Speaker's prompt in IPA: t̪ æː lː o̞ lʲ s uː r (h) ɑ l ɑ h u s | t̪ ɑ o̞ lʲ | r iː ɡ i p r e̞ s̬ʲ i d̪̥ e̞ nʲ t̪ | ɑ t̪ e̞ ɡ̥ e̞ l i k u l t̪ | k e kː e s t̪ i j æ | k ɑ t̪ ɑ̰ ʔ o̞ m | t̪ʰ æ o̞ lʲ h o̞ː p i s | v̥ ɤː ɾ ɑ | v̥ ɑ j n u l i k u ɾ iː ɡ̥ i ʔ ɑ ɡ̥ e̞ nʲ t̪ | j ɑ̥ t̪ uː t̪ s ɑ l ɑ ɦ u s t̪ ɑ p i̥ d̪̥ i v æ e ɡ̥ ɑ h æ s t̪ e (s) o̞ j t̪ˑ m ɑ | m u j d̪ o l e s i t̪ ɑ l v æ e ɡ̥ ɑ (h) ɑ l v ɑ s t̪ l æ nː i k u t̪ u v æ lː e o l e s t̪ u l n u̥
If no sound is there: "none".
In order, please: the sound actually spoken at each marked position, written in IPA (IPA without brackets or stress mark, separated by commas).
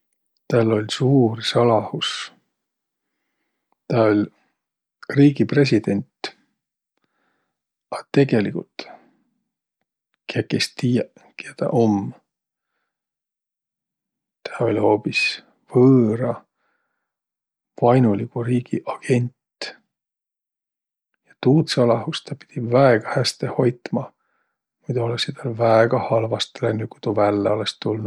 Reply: s, h, h